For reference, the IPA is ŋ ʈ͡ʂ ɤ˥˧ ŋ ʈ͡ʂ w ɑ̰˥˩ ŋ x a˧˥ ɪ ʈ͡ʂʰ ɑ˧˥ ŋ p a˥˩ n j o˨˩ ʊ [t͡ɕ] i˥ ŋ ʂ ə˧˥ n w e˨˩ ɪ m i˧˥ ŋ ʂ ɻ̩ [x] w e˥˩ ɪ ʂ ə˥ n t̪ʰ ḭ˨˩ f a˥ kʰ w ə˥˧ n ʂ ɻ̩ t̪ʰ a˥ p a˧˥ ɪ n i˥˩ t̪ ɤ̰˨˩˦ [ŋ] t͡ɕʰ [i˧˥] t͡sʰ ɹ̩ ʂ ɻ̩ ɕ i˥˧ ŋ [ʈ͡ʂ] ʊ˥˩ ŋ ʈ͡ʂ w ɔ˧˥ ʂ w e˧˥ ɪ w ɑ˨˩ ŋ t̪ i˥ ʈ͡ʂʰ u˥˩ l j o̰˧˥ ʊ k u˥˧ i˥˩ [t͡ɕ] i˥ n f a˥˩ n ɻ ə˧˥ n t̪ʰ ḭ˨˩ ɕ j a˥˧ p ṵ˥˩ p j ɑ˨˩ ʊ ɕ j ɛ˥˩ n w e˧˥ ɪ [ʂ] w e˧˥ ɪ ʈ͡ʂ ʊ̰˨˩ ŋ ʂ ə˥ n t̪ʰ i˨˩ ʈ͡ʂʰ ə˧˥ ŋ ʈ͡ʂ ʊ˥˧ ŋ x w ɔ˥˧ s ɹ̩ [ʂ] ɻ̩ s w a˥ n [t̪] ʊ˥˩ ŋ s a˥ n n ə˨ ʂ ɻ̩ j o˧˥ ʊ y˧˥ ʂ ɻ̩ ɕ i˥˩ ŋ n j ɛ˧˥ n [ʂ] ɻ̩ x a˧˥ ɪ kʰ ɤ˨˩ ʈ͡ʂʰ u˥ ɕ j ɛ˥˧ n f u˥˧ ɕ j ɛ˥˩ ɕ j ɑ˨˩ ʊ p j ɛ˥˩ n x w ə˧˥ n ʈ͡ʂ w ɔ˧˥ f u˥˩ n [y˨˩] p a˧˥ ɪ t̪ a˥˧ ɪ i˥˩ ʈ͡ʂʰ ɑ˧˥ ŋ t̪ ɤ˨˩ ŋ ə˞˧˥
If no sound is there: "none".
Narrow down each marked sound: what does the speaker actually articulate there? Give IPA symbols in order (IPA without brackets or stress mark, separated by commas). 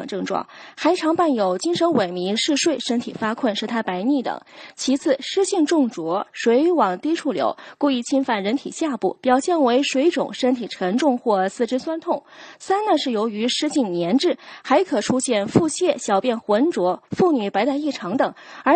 t͡ɕ, ʂ, ŋ, i˧˥, ʈ͡ʂ, t͡ɕʰ, ʂ, ʈ͡ʂ, t̪ʰ, ʈ͡ʂ, y˨˩